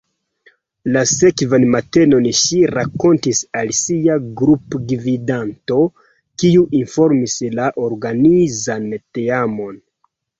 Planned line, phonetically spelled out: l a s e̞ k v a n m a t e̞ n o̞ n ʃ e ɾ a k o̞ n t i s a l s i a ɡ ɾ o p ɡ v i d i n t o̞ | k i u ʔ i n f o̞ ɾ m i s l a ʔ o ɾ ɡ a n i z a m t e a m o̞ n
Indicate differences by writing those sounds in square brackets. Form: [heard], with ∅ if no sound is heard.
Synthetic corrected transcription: l a s e̞ k v a n m a t e̞ n o̞ n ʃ [i] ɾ a k o̞ n t i s a l s i a ɡ ɾ [u] p ɡ v i d [a] n t o̞ | k i u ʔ i n f o̞ ɾ m i s l a ʔ o ɾ ɡ a n i z a [n] t e a m o̞ n